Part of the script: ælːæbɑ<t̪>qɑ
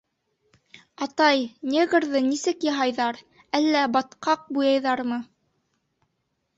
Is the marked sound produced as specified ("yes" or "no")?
yes